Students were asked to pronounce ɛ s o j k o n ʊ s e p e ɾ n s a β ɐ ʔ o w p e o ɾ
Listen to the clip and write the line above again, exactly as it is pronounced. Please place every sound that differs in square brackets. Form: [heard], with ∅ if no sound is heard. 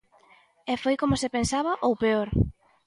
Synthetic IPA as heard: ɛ [f] o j k o [m] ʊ s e p e [∅] n s a β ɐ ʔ o w p e o ɾ

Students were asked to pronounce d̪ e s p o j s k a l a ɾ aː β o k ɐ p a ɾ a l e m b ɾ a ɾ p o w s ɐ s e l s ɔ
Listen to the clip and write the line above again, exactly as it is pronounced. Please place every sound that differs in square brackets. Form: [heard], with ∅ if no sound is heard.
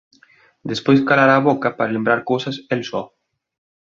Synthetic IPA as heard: d̪ e s p o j s k a l a ɾ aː β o k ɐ p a ɾ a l e m b ɾ a ɾ [k] o w s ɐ s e l s ɔ

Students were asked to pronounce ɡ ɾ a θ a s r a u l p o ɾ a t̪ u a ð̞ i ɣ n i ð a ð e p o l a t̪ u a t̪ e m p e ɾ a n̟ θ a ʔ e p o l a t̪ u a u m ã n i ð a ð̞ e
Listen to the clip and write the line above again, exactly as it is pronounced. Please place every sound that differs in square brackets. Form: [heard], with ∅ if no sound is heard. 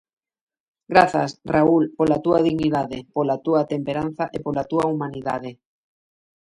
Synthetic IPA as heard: ɡ ɾ a θ a s r a u l p o [l] a t̪ u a ð̞ i ɣ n i ð a ð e p o l a t̪ u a t̪ e m p e ɾ a n̟ θ a ʔ e p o l a t̪ u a u m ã n i ð a ð̞ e

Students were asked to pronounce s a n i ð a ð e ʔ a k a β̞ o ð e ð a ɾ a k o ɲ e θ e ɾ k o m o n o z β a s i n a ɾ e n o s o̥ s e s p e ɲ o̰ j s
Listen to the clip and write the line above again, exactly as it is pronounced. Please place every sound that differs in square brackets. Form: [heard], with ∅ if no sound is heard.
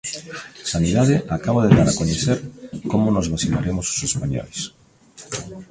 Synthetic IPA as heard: s a n i ð a ð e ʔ a k a β̞ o ð e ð a ɾ a k o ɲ e θ e ɾ k o m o n o z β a s i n a ɾ e [m] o s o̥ s e s p [a] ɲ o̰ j s

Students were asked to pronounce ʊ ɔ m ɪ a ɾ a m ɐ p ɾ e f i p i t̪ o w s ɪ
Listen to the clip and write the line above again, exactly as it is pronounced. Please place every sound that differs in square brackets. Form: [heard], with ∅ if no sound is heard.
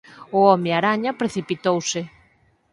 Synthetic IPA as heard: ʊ ɔ m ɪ a ɾ a [ɲ] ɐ p ɾ e [θ] i p i t̪ o w s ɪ

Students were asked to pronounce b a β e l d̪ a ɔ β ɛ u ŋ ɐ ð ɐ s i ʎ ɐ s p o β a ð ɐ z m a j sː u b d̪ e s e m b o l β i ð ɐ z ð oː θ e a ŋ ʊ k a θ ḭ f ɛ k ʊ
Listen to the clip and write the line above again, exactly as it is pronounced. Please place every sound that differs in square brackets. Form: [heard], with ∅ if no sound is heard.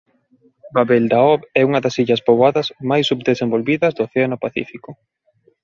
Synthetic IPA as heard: b a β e l d̪ a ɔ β ɛ u ŋ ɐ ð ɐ s i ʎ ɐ s p o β a ð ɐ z m a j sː u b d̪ e s e m b o l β i ð ɐ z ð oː θ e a [n] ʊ [p] a θ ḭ f [i] k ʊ

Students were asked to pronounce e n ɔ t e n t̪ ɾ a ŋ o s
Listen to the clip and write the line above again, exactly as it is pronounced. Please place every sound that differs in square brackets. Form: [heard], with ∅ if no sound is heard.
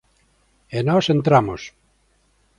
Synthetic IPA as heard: e n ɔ [s] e n t̪ ɾ a [m] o s

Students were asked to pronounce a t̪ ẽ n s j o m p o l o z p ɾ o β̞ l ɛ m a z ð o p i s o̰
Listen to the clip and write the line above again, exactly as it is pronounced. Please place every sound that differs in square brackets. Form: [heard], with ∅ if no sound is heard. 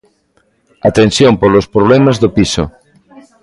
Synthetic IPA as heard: a t̪ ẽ n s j o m p o l o [s] p ɾ o β̞ l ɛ m a z ð o p i s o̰

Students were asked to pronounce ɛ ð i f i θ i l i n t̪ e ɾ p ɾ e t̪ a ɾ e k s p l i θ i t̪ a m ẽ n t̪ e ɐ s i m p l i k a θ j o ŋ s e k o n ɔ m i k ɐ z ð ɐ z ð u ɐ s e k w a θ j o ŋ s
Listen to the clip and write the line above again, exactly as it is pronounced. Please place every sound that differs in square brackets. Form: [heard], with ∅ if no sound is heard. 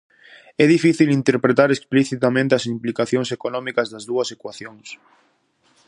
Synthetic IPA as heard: ɛ ð i f i θ i l i n t̪ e ɾ p ɾ e t̪ a ɾ e k s p l i θ i t̪ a m ẽ n t̪ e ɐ s i m p l i k a θ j o ŋ s e k o n ɔ m i k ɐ z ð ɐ z ð u ɐ s e k w a θ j o ŋ s

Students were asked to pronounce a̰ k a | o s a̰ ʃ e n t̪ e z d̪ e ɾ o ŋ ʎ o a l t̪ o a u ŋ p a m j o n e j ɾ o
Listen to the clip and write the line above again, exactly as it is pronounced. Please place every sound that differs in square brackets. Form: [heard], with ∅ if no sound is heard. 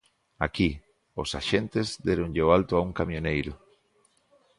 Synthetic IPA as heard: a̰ k [i] | o s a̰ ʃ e n t̪ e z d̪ e ɾ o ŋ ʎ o a l t̪ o a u ŋ [k] a m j o n e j ɾ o

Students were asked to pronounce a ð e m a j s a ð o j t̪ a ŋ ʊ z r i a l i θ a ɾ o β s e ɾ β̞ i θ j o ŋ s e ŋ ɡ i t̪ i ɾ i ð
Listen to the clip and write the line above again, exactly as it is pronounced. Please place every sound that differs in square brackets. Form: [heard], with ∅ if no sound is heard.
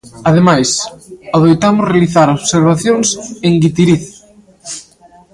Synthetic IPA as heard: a ð e m a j s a ð o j t̪ a [m] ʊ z r [e] a l i θ a ɾ o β s e ɾ β̞ [a] θ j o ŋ s e ŋ ɡ i t̪ i ɾ i [θ]

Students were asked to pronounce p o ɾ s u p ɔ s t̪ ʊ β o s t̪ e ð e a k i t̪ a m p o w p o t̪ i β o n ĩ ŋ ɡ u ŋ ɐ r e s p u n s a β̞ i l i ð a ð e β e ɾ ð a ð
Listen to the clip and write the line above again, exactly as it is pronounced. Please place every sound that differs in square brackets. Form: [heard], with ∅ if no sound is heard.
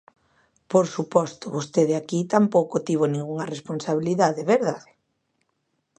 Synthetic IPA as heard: p o ɾ s u p ɔ s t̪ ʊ β o s t̪ e ð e a k i t̪ a m p o w [k] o t̪ i β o n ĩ ŋ ɡ u ŋ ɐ r e s p [o] n s a β̞ i l i ð a ð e β e ɾ ð a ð

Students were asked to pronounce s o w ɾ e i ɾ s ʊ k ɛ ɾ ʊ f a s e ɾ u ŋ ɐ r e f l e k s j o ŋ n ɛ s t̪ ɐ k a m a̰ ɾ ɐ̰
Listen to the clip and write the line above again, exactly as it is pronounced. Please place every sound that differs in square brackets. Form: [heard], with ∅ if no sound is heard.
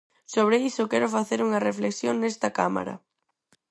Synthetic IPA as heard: s o [β] ɾ e i [∅] s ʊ k ɛ ɾ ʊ f a [θ] e ɾ u ŋ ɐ r e f l e k s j o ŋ n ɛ s t̪ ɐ k a m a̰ ɾ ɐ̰

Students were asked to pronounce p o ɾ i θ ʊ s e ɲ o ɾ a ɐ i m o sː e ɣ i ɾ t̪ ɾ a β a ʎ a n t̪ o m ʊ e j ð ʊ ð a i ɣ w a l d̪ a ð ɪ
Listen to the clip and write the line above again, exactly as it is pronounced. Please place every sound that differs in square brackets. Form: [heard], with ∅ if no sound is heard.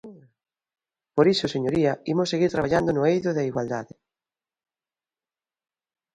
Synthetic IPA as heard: p o ɾ i [s] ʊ s e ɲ o ɾ [i] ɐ i m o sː e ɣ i ɾ t̪ ɾ a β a ʎ a n [d̪] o [n] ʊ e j ð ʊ ð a i ɣ w a l d̪ a ð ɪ

